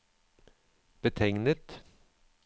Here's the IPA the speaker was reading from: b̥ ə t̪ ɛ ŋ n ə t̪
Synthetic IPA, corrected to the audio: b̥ ə t̪ʰ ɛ ŋ n ə t̪